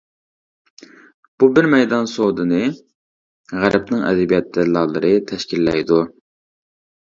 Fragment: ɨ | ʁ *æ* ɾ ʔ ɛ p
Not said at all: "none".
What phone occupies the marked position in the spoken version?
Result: æ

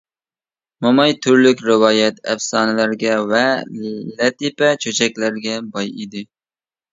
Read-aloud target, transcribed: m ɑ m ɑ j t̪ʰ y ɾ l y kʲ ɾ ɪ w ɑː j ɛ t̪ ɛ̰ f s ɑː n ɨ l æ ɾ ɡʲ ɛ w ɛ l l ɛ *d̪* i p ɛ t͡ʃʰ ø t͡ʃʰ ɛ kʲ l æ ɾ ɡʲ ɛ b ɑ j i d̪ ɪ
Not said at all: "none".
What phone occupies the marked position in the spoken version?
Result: t̪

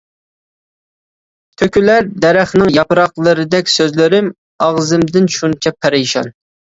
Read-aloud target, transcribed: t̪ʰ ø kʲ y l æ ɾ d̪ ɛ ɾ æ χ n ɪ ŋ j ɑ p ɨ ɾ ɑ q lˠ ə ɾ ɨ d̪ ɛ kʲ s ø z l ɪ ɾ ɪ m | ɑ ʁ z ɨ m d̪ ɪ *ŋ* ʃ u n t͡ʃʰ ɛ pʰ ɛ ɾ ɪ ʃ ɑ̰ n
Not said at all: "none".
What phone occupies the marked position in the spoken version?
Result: n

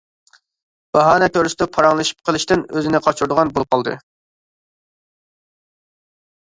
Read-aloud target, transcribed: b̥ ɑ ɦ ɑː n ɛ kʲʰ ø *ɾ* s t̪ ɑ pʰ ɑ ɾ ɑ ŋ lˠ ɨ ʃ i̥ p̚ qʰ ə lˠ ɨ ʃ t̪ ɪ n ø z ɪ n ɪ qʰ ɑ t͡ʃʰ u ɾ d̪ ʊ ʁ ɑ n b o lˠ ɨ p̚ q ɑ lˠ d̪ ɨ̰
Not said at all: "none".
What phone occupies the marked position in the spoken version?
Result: ɾ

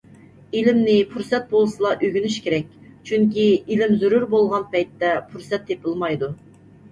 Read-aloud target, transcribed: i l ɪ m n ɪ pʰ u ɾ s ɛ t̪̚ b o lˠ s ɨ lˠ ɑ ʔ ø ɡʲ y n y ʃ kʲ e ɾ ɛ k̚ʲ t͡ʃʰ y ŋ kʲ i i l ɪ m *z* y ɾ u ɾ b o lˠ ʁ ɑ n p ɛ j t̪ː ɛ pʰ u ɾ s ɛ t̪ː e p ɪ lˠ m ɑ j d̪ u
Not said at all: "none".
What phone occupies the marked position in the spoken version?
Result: z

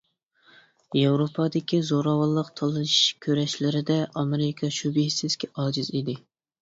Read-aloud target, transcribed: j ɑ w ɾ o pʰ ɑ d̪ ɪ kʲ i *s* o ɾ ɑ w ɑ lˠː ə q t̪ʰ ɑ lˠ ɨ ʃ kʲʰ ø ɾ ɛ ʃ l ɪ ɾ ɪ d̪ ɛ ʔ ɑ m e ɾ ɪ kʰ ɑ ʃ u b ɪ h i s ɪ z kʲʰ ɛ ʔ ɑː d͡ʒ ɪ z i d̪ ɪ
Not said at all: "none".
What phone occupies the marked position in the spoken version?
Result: z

